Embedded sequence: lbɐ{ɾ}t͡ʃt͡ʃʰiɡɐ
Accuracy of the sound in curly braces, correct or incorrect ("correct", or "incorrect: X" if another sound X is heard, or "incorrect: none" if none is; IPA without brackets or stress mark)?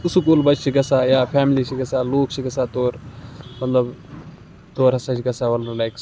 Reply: incorrect: none